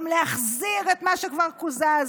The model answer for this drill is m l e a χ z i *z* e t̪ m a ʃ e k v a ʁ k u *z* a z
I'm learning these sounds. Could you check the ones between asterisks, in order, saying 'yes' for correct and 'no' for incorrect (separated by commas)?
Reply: no, yes